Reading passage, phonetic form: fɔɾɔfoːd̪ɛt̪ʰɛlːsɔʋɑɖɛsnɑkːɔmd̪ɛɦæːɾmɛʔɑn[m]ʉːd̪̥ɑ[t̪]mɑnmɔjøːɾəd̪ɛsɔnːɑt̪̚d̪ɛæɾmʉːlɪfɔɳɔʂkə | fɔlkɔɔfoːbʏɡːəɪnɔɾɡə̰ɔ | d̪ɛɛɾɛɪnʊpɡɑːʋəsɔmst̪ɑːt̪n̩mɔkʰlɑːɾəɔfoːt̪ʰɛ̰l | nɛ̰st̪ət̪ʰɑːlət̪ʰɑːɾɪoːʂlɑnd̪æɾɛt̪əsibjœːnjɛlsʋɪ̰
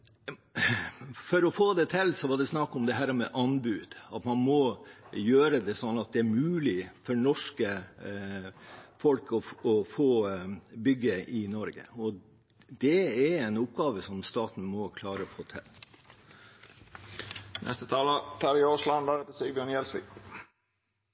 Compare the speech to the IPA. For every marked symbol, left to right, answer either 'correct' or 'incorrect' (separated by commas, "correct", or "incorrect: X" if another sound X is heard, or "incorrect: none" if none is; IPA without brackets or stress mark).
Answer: incorrect: b, correct